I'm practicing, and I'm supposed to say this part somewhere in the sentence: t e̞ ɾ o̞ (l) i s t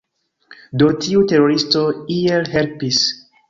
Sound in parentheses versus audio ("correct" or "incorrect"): incorrect